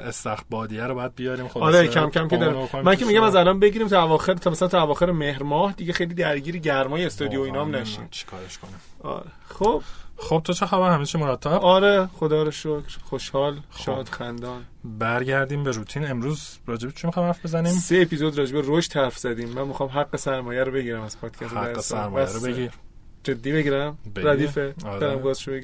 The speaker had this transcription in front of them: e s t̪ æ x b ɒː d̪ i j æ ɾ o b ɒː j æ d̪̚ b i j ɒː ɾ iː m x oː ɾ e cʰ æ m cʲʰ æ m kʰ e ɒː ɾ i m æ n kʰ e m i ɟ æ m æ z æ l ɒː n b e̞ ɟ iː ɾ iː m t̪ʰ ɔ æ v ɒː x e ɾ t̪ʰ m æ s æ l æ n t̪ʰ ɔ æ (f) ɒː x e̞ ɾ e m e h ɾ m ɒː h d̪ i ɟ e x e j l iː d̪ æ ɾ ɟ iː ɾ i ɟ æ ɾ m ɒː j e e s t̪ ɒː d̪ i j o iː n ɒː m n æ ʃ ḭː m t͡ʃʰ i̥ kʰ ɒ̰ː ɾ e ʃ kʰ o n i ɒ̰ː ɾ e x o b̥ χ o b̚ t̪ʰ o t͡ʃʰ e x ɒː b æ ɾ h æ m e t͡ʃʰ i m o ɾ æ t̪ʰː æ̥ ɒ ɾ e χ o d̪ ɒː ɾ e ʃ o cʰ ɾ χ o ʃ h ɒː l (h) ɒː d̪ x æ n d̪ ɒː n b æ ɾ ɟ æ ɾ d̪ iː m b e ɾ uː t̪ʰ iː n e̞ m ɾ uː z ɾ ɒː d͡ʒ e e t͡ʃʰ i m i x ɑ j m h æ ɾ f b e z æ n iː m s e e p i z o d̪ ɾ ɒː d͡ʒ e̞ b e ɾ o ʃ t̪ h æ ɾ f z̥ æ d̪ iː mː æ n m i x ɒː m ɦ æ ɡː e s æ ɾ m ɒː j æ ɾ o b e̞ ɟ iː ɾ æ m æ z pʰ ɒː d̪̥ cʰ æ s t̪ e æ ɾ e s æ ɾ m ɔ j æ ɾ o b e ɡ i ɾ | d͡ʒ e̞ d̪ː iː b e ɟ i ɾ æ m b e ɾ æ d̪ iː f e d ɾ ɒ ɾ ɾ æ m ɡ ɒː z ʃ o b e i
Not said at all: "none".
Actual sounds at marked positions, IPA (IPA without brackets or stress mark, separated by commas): v, ʃ